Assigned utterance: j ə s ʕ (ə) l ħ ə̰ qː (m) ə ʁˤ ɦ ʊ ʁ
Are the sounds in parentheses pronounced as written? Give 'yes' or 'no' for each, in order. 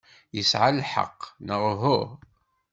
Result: no, no

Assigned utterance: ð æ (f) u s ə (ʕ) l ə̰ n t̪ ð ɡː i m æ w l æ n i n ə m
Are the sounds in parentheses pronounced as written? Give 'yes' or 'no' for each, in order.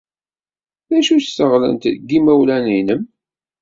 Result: no, no

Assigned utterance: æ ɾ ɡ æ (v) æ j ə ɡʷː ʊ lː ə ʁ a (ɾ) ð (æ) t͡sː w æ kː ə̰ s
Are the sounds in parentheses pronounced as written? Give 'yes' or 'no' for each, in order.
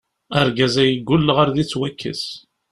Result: no, yes, no

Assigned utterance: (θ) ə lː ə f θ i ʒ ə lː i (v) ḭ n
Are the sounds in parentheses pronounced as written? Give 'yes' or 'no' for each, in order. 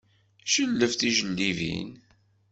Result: no, yes

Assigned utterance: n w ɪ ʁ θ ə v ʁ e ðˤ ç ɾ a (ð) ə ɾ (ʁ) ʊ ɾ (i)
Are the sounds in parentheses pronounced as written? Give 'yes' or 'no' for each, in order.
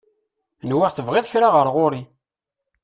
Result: no, yes, yes

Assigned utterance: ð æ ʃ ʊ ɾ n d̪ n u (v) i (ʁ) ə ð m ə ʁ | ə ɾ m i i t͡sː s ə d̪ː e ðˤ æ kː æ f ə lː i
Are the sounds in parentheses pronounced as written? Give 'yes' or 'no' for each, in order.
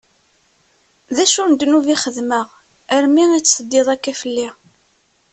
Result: yes, no

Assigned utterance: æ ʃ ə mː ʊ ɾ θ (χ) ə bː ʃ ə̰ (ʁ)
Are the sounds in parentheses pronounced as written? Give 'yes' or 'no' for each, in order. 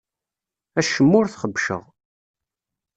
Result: yes, yes

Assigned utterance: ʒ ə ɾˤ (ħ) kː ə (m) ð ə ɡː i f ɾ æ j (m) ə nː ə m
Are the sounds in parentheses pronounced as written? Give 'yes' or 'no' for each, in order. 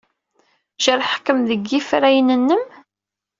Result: yes, yes, no

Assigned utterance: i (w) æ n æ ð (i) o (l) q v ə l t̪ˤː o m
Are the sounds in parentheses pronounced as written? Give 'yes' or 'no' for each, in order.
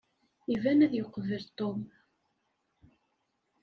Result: no, no, no

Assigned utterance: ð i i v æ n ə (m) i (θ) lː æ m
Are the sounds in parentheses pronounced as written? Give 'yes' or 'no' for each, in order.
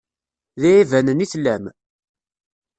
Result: no, yes

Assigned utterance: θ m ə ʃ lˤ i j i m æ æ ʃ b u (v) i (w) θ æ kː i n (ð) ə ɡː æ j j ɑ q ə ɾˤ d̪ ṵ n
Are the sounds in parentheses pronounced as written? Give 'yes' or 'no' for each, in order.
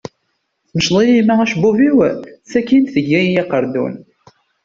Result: yes, yes, no

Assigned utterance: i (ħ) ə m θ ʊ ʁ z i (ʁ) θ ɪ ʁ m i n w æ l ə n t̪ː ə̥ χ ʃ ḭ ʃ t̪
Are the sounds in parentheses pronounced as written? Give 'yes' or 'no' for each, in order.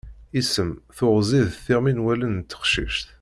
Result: no, no

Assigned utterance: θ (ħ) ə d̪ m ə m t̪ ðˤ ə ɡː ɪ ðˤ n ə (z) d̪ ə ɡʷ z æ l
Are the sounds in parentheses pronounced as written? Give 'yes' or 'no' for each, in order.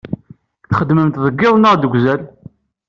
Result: no, no

